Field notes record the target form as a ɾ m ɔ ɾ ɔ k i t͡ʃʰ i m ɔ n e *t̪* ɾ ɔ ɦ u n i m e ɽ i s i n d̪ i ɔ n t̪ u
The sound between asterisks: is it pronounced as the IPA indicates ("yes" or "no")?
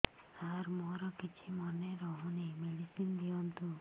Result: no